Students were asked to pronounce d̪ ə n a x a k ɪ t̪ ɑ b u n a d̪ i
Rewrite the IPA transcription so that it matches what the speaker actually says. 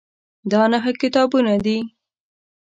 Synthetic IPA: d̪ ɑ n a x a k ɪ t̪ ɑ b u n a d̪ i